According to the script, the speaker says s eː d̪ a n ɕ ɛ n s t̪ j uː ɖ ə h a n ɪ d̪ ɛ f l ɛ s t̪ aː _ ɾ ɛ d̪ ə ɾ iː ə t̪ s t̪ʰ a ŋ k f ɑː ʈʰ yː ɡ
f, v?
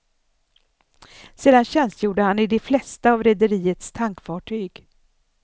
v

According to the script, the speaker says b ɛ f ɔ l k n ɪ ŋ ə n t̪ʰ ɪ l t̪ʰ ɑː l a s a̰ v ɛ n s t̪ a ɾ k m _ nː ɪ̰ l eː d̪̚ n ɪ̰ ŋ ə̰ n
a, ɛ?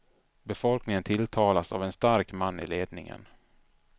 a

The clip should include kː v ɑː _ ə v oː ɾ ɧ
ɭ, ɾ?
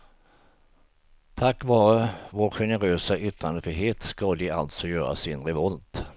ɾ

